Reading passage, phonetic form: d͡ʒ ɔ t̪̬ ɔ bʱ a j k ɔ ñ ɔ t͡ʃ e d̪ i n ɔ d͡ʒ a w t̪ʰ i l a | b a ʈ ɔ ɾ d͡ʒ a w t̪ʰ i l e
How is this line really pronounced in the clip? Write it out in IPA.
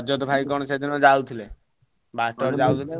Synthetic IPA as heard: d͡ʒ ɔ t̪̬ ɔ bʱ a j k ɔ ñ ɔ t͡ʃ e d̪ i n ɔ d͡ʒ a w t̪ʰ i l e | b a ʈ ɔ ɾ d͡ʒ a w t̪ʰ i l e